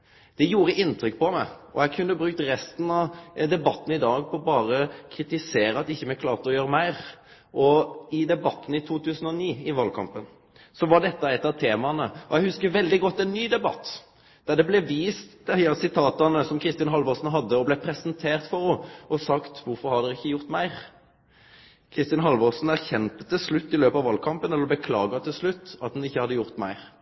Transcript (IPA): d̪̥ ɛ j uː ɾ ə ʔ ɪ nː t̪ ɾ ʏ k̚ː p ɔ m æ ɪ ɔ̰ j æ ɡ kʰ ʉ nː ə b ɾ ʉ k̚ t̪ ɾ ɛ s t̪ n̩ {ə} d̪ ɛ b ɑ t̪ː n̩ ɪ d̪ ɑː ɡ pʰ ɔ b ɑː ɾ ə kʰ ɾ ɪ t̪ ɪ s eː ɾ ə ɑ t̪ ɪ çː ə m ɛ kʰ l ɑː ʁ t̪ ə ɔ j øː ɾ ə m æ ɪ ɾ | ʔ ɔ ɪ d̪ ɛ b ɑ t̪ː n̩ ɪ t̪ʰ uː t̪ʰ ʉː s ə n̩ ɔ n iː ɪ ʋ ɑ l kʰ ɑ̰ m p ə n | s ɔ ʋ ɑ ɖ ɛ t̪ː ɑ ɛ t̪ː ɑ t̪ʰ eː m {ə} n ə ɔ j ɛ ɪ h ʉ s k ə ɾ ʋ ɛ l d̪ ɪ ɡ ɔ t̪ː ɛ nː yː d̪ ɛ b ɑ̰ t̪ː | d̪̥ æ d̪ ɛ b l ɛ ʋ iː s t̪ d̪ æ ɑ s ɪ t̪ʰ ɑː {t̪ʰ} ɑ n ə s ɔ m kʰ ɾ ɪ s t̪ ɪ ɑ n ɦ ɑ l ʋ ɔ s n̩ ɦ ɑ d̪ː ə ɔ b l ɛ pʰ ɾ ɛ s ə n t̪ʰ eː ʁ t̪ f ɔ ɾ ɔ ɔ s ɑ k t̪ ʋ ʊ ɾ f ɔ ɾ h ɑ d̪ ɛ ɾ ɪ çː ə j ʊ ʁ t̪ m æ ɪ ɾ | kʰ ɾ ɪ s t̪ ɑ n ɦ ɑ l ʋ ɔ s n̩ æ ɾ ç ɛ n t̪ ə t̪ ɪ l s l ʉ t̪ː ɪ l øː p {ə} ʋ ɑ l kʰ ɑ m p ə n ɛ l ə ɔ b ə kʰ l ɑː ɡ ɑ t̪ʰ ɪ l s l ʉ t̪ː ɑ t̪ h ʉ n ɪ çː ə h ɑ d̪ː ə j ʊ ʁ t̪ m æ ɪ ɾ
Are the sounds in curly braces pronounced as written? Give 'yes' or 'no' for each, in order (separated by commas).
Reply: no, no, no, no